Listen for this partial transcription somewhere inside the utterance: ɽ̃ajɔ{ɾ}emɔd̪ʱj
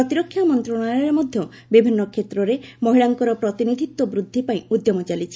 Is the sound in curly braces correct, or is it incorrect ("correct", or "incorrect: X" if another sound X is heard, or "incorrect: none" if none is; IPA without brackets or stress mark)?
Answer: correct